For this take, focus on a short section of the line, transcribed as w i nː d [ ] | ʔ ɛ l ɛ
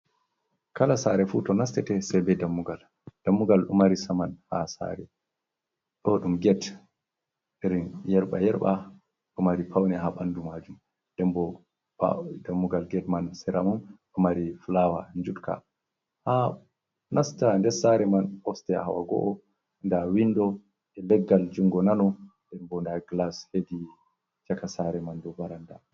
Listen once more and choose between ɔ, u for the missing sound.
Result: ɔ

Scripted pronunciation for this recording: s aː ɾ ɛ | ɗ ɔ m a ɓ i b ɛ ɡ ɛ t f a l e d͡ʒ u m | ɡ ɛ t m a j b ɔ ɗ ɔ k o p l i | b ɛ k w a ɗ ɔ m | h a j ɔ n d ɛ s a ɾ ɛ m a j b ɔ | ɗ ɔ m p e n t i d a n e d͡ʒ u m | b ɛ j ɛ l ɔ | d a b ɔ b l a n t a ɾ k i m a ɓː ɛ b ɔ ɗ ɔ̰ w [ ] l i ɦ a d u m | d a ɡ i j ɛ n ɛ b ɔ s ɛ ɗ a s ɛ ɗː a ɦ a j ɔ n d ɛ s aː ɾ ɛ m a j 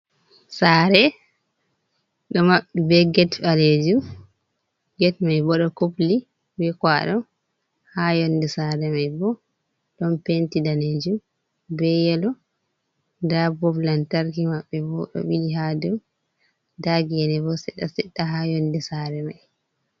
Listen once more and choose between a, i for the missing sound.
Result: i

